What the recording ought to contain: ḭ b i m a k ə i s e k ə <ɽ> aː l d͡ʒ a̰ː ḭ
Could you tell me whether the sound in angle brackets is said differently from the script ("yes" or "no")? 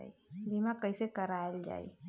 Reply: yes